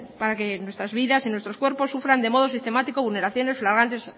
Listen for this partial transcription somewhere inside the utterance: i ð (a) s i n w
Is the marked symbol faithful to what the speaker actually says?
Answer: yes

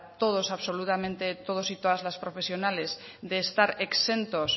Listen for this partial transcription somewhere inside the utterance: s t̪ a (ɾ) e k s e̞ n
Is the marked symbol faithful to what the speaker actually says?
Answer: yes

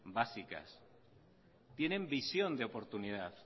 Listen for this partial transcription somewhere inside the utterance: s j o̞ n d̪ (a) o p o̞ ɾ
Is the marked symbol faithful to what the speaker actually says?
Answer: no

